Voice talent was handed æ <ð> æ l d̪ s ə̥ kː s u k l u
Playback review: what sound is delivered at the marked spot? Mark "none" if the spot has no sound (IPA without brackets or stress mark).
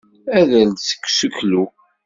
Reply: ð